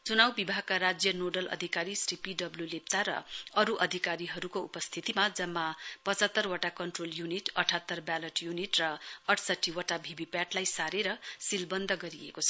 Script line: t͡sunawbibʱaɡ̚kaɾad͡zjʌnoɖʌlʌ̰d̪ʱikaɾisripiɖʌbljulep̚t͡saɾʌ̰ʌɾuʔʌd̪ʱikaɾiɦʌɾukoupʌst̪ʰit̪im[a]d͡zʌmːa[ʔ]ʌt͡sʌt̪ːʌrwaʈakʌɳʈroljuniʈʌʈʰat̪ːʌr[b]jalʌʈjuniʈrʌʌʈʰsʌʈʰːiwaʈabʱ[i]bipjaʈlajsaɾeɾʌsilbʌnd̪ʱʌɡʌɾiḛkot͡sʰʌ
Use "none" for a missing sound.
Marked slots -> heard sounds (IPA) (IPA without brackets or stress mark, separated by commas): a, p, b, i